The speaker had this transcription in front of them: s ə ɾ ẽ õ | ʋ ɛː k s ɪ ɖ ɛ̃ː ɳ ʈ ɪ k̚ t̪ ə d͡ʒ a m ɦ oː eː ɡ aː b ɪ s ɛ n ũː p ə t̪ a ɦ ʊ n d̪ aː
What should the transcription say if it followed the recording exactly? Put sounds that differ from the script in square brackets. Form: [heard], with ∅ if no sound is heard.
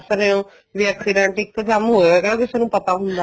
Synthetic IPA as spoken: s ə ɾ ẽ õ | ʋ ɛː k s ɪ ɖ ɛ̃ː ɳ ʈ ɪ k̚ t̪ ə d͡ʒ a m ɦ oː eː ɡ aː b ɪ s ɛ n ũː p ə t̪ a ɦ ʊ n d̪ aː